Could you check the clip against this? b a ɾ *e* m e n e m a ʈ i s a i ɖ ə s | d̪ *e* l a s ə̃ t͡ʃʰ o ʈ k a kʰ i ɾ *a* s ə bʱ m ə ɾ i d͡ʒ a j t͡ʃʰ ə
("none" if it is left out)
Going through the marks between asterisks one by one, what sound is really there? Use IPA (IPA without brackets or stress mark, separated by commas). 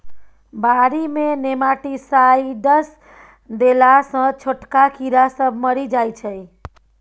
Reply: i, e, a